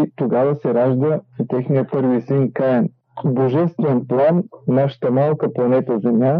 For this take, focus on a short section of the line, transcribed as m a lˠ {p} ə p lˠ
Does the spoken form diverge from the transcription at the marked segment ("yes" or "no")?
yes